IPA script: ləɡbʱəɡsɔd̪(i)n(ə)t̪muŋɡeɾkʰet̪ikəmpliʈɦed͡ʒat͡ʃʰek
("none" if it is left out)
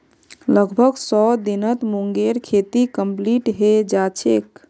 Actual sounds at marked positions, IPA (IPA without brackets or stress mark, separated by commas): i, ə